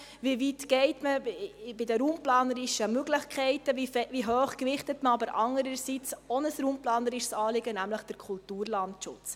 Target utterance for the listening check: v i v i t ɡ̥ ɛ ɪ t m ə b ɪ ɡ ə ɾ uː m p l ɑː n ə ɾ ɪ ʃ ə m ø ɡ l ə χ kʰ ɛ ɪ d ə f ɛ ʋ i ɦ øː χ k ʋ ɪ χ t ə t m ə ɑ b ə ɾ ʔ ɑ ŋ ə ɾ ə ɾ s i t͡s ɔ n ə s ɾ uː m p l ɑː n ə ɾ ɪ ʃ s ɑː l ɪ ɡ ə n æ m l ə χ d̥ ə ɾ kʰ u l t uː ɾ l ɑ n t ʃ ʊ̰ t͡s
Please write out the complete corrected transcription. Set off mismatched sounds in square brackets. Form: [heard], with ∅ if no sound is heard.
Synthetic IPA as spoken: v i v i t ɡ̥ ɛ ɪ t m ə b ɪ [d] ə ɾ uː m p l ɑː n ə ɾ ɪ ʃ ə m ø ɡ l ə χ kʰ ɛ ɪ [t] ə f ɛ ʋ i ɦ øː χ k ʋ ɪ χ t ə t m ə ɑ b ə ɾ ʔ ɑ ŋ ə ɾ ə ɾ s i t͡s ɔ n ə s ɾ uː m p l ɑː n ə ɾ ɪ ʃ s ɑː l ɪ ɡ ə n æ m l ə χ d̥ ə ɾ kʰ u l t uː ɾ l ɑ n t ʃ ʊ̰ t͡s